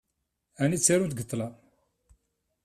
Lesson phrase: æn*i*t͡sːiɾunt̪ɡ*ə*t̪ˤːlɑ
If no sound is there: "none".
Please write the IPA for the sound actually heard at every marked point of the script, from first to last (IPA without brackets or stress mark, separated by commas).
i, ə